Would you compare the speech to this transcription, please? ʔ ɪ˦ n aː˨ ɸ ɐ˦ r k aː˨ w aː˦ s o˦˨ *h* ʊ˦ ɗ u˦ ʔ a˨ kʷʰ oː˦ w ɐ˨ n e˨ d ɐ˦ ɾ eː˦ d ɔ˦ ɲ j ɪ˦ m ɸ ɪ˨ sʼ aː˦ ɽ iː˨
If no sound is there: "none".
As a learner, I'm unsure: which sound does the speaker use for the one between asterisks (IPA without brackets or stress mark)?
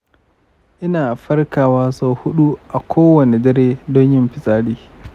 h